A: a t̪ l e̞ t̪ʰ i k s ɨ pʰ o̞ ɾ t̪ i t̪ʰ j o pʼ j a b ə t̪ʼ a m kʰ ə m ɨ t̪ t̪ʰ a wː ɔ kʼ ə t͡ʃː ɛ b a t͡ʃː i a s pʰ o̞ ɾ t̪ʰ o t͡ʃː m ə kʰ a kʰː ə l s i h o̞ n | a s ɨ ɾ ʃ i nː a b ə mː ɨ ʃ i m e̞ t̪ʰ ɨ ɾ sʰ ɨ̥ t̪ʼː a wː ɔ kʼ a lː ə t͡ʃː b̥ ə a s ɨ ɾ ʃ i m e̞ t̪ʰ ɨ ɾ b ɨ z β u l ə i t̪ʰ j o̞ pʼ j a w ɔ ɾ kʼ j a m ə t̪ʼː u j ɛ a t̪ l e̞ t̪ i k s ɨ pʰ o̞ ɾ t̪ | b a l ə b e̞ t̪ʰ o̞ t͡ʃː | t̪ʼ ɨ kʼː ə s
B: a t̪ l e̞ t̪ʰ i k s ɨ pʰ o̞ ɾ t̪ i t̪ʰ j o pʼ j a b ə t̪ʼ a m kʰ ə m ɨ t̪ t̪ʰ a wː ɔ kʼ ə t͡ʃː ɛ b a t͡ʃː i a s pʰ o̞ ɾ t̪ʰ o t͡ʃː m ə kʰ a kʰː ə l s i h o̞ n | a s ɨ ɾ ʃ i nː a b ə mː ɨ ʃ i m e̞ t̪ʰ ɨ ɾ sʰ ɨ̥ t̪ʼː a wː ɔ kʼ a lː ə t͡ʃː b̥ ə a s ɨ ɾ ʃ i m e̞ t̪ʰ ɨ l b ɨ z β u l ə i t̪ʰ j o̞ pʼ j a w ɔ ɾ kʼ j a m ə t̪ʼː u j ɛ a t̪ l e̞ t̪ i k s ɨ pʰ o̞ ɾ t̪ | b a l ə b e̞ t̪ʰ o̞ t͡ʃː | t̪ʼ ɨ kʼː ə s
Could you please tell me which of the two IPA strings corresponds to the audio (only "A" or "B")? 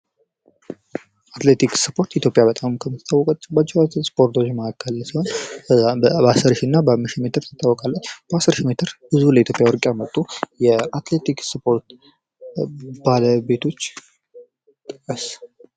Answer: A